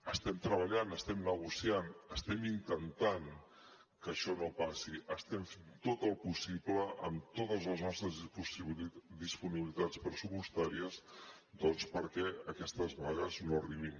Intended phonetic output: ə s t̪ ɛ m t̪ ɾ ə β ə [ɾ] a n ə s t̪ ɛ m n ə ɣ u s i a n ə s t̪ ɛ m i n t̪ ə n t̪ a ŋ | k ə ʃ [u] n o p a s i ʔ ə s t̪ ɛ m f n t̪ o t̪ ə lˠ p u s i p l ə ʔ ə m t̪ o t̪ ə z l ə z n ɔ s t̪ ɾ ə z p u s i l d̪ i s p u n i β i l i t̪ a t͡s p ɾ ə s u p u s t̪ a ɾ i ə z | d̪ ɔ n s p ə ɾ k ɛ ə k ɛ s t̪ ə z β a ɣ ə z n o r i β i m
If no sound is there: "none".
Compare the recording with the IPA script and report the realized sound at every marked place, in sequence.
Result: ʎ, ɔ

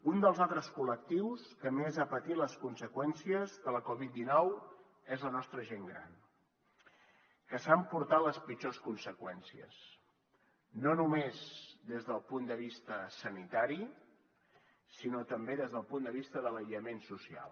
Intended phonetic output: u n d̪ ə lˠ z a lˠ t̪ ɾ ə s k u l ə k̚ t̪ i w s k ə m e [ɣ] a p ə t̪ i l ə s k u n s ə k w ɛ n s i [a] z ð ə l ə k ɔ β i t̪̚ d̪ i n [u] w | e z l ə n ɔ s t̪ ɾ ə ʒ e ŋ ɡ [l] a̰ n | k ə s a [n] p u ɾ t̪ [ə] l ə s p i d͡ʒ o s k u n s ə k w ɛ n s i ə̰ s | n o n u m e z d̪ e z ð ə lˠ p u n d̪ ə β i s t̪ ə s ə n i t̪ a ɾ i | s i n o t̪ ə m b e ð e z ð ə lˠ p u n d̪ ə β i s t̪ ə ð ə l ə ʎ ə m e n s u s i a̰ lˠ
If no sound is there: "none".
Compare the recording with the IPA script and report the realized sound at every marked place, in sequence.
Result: z, ə, ɔ, ɾ, m, a

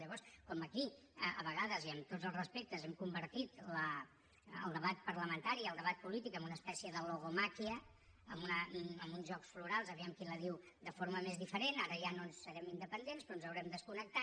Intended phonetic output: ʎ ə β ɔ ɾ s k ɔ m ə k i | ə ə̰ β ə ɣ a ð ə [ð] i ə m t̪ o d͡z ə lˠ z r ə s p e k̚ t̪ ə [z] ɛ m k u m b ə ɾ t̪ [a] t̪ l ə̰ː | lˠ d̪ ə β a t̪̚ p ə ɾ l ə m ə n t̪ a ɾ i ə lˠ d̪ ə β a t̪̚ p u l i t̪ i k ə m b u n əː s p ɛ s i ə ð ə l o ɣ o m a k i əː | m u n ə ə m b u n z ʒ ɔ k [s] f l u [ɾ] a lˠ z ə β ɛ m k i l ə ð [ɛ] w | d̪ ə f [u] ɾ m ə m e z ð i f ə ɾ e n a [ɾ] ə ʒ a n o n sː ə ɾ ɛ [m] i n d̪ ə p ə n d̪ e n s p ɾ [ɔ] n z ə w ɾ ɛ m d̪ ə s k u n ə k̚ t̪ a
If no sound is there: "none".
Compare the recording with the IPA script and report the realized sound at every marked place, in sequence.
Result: z, z, i, s, ɾ, i, o, ɾ, m, ɔ

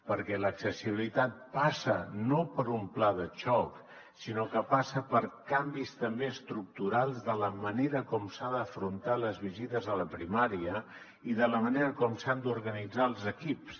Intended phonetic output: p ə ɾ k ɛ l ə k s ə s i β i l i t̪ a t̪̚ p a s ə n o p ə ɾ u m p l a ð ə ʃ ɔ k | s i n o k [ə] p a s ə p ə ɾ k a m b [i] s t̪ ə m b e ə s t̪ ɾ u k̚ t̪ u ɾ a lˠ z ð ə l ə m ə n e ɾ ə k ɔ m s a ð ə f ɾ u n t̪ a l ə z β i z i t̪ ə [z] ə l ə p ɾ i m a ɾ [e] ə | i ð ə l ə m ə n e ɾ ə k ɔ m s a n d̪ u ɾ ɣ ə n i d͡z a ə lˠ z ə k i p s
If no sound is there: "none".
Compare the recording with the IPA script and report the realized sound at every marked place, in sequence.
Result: ə, i, z, i

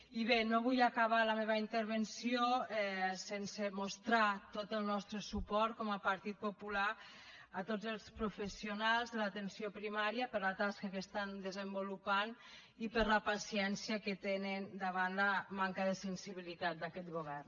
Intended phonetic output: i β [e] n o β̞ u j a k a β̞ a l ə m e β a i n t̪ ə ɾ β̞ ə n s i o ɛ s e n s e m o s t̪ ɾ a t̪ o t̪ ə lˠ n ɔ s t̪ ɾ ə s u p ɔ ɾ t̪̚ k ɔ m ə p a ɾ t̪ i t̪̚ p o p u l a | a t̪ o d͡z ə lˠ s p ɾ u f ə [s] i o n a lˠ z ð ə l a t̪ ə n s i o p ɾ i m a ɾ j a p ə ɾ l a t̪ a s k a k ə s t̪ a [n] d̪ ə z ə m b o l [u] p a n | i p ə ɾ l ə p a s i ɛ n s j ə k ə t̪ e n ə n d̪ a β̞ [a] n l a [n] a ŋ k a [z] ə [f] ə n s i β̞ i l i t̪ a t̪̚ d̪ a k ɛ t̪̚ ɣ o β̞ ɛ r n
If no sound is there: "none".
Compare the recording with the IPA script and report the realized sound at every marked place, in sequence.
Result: e, s, n, u, a, m, ð, s

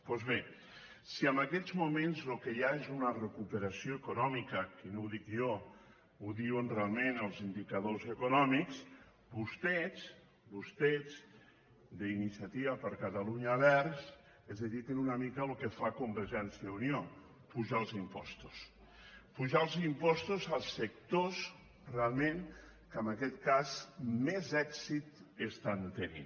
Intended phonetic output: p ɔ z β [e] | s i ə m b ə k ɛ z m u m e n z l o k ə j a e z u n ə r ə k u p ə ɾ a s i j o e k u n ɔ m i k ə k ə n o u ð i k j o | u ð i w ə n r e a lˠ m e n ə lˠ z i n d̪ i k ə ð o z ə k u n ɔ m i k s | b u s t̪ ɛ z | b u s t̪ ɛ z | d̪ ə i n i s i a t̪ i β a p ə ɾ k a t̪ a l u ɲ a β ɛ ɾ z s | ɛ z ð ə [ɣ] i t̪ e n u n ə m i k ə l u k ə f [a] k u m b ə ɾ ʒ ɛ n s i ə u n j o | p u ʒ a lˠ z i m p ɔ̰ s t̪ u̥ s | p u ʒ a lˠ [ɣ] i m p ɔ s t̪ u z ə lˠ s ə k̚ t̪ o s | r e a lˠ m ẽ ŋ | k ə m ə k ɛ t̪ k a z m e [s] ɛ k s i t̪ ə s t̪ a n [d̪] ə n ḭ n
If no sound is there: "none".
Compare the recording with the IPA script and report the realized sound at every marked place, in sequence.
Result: e, ð, a, z, z, t̪

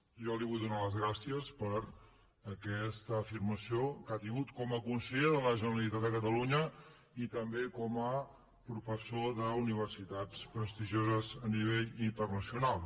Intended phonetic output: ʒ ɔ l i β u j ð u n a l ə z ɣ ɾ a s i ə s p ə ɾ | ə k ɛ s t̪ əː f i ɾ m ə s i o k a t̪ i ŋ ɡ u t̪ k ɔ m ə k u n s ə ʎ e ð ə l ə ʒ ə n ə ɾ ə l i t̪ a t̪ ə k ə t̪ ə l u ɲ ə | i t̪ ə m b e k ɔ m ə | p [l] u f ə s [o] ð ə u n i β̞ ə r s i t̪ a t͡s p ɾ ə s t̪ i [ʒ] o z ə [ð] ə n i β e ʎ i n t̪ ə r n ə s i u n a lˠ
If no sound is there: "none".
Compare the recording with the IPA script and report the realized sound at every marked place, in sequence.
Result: ɾ, o, ʒ, z

